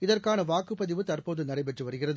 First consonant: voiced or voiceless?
voiced